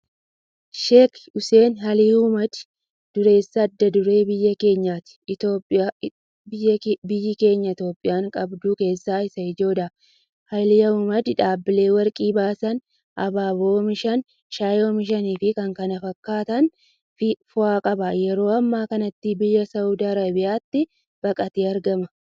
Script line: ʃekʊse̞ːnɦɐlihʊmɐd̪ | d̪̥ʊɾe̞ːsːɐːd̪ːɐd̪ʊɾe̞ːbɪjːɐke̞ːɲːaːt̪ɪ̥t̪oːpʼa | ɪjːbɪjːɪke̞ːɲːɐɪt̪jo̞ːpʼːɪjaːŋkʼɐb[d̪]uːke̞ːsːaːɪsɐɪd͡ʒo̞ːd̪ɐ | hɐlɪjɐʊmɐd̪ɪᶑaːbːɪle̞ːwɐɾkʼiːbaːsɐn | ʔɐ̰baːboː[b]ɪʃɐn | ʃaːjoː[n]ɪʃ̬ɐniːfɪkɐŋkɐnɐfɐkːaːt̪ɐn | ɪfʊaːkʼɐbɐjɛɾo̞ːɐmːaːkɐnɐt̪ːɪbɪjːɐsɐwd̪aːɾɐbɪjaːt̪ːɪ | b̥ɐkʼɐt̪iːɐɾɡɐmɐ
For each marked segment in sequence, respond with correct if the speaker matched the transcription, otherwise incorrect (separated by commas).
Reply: correct, incorrect, incorrect